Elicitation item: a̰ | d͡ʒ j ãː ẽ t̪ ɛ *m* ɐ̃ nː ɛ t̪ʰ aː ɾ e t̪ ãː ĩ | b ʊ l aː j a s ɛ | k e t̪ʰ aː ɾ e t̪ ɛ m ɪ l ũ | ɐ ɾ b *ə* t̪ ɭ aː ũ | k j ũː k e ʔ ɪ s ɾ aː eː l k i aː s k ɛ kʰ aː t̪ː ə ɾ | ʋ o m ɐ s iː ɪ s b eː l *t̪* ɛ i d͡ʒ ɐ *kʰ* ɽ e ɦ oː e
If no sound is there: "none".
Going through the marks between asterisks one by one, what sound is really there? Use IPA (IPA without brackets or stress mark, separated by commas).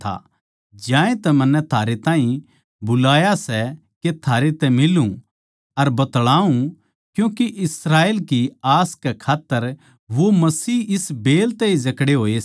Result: m, ɐ, t̪, k